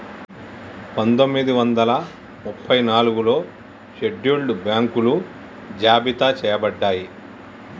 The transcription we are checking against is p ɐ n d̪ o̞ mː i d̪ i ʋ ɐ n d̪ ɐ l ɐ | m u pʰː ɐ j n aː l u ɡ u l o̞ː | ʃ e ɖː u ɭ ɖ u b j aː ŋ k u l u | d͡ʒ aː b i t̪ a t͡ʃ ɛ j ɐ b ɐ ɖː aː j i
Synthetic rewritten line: p ɐ n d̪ o̞ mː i d̪ i ʋ ɐ n d̪ ɐ l ɐ | m u pʰː ɐ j n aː l u ɡ u l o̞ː | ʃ e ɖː u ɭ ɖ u b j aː ŋ k u l u | d͡ʒ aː b i t̪ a t͡ʃ ɛː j ɐ b ɐ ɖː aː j i